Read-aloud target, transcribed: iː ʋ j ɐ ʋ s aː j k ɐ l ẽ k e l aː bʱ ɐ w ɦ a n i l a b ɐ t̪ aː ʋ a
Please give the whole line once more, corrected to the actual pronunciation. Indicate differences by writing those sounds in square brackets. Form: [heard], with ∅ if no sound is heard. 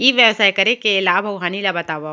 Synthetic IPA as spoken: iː ʋ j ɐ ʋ s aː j k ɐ [ɾ] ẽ k e l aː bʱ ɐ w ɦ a n i l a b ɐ t̪ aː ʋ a